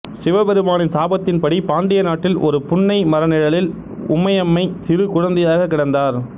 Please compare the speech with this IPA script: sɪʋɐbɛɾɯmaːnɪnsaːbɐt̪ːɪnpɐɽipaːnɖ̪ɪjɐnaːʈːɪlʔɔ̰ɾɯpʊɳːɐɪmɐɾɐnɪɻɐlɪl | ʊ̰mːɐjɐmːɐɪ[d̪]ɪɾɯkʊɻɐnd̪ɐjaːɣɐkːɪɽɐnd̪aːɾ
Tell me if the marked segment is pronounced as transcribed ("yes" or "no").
no